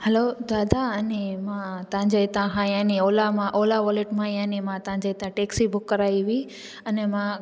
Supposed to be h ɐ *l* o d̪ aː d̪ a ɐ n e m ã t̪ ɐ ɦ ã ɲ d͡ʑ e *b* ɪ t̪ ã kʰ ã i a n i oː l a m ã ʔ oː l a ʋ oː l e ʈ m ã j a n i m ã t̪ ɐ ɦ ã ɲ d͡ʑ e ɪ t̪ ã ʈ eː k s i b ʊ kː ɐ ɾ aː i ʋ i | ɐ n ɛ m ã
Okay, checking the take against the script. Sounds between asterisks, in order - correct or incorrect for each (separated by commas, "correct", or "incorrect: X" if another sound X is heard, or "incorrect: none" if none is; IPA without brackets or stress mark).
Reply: correct, incorrect: none